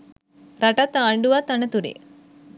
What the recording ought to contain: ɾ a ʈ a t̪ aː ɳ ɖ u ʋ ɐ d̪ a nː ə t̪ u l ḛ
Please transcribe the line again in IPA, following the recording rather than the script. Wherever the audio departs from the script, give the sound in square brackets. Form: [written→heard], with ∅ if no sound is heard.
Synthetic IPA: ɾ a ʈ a t̪ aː ɳ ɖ u ʋ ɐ [d̪→t̪] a [nː→n] ə t̪ u [l→ɾ] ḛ